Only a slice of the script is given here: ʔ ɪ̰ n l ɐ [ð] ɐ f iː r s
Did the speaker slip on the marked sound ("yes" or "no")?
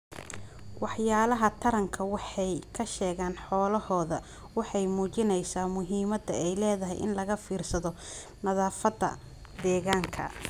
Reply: yes